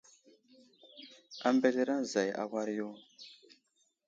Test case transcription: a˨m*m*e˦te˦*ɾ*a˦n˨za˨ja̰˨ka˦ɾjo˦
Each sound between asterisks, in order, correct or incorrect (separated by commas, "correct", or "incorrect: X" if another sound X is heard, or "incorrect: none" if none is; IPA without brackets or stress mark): incorrect: b, correct